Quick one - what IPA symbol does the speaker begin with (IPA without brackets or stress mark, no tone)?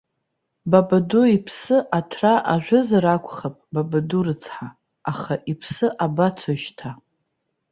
b